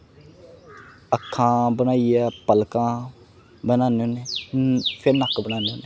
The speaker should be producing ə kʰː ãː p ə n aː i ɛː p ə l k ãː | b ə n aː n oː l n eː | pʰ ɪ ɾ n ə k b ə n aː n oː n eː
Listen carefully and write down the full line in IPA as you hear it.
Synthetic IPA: ə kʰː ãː b ə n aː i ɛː p ə l k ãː | b ə n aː n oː n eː | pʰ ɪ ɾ n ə k b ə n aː n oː n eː